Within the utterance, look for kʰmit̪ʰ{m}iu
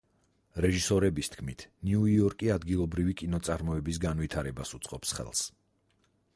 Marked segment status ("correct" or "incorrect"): incorrect